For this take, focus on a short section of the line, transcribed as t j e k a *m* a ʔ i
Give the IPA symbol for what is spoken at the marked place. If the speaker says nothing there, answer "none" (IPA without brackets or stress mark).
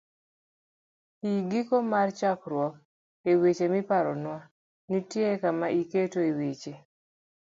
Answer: m